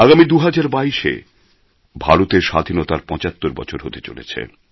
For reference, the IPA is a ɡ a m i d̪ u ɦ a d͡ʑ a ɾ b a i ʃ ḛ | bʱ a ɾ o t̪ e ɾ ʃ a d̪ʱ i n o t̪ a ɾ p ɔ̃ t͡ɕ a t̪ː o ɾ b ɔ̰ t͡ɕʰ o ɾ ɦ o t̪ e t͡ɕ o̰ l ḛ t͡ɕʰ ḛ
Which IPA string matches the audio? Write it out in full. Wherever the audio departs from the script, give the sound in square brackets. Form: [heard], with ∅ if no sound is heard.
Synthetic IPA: a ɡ a m i d̪ u ɦ a d͡ʑ a ɾ b a i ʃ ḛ | bʱ a ɾ o t̪ e ɾ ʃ a d̪ʱ i n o t̪ a ɾ p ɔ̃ t͡ɕ a t̪ː o ɾ b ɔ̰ t͡ɕʰ o ɾ ɦ o t̪ e t͡ɕ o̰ l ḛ t͡ɕʰ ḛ